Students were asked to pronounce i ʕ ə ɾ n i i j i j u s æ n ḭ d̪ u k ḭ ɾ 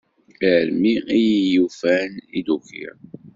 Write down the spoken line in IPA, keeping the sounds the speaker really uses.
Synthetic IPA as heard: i ʕ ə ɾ m i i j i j u f æ n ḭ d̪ u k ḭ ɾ